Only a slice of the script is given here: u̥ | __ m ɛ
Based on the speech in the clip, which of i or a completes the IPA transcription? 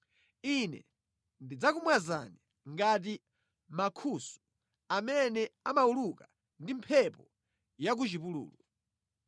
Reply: a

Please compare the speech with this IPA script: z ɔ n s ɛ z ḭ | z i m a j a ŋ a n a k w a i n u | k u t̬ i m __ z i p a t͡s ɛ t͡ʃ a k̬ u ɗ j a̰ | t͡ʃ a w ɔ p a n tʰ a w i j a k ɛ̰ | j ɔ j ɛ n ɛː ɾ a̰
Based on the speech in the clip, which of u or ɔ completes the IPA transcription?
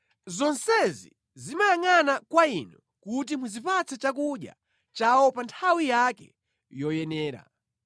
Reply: u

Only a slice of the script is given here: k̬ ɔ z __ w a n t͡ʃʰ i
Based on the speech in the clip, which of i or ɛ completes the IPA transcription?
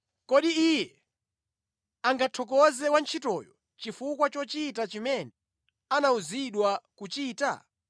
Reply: ɛ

